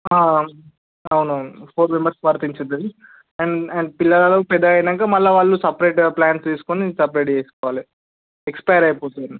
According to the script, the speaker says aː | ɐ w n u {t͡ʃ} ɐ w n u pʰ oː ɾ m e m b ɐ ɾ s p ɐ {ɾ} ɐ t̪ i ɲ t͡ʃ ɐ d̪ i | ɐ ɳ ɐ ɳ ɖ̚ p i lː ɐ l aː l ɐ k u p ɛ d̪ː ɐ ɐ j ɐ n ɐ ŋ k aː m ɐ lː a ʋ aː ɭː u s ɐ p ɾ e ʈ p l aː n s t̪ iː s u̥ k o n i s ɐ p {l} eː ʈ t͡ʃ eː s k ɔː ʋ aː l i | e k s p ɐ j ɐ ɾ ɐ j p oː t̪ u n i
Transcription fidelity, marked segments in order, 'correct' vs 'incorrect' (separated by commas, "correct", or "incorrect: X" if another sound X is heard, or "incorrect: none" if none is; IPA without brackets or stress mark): incorrect: none, correct, incorrect: ɾ